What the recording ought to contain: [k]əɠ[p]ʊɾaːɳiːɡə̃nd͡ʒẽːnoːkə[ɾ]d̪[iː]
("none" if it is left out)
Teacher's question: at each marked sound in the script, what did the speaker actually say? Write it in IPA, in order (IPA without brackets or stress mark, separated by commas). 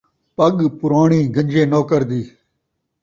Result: p, p, ɾ, iː